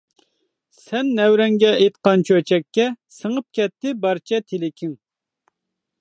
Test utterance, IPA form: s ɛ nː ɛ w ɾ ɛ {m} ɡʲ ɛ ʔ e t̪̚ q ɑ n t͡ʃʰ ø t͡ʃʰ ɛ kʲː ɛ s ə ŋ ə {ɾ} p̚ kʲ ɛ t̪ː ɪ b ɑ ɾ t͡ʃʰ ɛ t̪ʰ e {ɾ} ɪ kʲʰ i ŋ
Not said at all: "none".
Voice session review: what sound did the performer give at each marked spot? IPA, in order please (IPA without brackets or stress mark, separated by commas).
ŋ, none, l